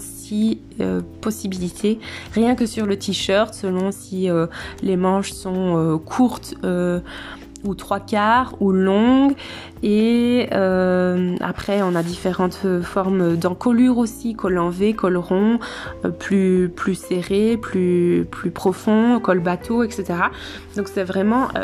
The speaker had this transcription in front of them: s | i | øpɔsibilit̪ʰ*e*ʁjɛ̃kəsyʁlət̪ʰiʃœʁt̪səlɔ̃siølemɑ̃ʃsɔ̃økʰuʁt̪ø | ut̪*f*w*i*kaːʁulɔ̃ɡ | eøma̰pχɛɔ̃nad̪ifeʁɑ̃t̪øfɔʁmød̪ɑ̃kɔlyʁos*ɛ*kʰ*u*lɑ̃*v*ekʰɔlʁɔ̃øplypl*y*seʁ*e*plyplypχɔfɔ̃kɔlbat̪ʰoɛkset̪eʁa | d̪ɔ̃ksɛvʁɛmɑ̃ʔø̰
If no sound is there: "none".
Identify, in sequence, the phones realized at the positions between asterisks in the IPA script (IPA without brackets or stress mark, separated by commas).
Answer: e, χ, a, i, ɔ, v, y, e